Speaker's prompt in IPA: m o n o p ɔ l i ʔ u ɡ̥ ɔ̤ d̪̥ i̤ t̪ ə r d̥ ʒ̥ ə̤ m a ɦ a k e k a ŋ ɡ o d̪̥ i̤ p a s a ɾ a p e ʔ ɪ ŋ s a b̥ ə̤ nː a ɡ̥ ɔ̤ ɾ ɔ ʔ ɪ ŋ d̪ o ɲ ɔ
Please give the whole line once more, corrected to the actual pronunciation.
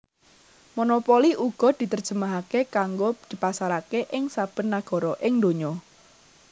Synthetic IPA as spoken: m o n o p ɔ l i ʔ u ɡ̥ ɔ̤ d̪̥ i̤ t̪ ə r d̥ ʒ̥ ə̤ m a ɦ a k e k a ŋ ɡ o d̪̥ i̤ p a s a ɾ a k e ʔ ɪ ŋ s a b̥ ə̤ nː a ɡ̥ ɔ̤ ɾ ɔ ʔ ɪ ŋ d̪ o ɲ ɔ